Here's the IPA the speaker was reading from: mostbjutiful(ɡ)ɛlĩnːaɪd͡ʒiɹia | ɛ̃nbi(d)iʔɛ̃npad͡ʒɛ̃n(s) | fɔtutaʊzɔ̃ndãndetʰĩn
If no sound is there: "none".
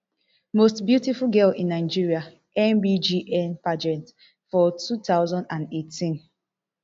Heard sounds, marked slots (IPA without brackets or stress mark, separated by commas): ɡ, d͡ʒ, t